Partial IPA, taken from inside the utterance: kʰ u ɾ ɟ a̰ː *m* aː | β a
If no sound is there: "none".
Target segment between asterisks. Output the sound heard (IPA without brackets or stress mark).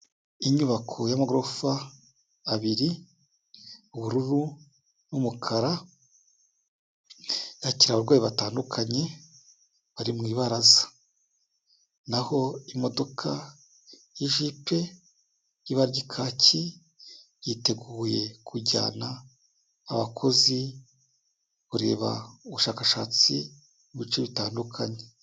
n